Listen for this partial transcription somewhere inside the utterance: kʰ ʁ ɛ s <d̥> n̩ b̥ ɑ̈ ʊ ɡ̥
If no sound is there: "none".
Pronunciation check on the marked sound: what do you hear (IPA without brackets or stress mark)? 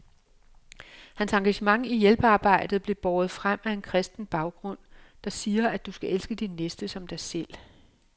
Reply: d̥